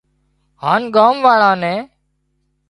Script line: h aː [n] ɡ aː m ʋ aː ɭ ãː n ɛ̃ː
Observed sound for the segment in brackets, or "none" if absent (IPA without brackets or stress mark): n